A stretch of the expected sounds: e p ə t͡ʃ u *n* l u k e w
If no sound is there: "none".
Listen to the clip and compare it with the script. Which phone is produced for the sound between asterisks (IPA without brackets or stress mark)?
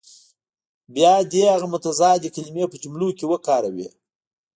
m